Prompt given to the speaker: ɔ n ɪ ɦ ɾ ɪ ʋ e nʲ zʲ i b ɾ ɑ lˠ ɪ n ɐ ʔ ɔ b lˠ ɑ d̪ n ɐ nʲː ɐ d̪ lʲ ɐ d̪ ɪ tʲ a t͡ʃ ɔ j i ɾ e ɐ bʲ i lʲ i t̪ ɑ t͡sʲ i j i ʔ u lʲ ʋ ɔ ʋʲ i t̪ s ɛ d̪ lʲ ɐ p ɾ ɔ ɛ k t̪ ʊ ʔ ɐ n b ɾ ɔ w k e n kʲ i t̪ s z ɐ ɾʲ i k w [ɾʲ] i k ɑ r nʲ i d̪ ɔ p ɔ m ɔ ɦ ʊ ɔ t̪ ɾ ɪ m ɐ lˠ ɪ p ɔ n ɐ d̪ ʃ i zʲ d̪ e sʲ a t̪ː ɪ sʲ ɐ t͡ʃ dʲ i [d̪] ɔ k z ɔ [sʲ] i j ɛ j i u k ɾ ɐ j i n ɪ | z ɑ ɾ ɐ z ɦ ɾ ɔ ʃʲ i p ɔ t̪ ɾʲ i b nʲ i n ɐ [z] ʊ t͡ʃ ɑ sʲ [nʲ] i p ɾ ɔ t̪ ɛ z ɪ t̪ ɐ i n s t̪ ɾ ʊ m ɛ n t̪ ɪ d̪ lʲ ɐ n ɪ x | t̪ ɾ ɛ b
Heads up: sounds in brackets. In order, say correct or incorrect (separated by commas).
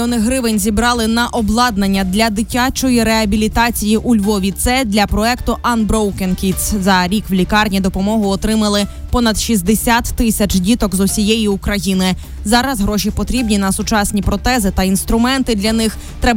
incorrect, incorrect, correct, incorrect, correct